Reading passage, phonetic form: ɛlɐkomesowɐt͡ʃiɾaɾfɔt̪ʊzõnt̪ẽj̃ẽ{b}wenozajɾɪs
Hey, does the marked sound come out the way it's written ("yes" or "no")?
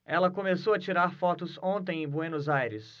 yes